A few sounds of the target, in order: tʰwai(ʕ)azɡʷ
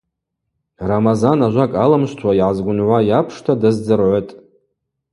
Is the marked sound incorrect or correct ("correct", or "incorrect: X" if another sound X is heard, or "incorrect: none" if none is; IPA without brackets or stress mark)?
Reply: correct